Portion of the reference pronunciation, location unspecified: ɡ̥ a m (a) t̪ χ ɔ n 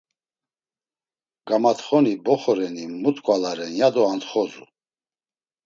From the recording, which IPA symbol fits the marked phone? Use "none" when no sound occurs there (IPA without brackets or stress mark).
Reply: a